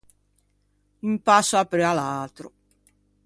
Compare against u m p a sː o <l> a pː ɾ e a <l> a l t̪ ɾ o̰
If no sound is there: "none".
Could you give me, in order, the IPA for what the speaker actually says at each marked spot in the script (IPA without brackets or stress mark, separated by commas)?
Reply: none, l